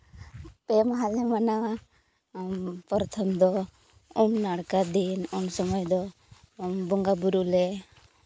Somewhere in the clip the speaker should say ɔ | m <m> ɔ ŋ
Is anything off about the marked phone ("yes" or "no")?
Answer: yes